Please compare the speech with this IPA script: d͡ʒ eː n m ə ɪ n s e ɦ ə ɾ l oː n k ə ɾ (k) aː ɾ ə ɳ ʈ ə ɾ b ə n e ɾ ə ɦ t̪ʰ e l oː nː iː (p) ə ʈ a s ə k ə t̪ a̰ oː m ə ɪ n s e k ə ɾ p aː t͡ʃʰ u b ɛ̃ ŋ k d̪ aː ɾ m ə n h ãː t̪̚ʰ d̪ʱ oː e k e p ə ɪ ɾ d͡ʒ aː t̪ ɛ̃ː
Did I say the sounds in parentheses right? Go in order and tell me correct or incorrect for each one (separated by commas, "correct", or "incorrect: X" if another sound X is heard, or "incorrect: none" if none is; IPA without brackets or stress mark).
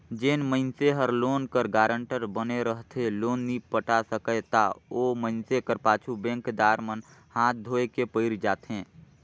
incorrect: ɡ, correct